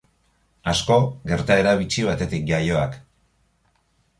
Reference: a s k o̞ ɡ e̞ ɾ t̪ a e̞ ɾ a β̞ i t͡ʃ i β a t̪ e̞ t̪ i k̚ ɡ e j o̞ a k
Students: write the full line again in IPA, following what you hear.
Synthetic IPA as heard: a s k o̞ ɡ e̞ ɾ t̪ a e̞ ɾ a β̞ i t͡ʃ i β a t̪ e̞ t̪ i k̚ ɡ a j o̞ a k